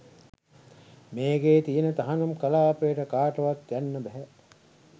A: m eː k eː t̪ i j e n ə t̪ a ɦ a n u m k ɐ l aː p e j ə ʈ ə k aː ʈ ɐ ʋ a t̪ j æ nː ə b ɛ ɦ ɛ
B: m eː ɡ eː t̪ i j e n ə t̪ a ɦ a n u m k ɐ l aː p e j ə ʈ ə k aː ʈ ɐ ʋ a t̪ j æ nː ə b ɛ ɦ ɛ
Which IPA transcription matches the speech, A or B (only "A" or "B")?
B